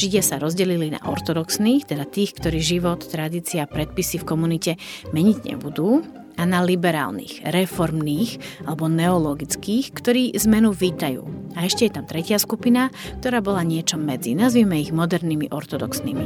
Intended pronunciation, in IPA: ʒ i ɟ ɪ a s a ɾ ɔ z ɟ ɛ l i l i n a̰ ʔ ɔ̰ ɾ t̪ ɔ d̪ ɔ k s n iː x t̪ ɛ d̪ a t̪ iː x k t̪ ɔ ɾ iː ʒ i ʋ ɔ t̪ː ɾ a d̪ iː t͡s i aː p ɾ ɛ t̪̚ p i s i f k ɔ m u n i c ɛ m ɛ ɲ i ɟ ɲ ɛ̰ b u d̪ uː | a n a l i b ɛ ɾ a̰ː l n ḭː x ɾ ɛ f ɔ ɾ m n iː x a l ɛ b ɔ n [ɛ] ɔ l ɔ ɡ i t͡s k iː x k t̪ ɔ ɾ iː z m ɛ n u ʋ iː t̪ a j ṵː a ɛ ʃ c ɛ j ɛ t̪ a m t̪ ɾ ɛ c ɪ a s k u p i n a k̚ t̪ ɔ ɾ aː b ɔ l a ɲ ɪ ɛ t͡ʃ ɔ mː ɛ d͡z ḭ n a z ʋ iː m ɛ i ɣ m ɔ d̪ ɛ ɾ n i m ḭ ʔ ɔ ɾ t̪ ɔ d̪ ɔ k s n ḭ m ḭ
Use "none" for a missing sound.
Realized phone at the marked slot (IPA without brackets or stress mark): ɛ